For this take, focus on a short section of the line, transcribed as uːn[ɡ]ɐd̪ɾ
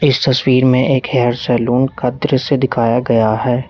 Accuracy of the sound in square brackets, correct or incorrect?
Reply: incorrect